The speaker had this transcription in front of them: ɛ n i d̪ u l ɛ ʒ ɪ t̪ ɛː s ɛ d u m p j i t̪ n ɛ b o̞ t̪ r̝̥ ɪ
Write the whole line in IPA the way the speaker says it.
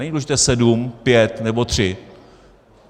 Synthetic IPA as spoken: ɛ ɲ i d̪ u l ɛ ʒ ɪ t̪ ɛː s ɛ d u m p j ɛ t̪ n ɛ b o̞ t̪ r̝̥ ɪ